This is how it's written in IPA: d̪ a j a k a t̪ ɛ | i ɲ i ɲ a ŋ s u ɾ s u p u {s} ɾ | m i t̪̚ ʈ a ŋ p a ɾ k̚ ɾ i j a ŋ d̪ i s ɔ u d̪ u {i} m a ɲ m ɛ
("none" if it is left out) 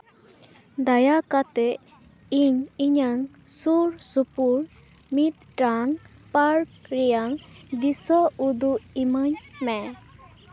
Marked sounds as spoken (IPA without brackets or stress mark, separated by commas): none, i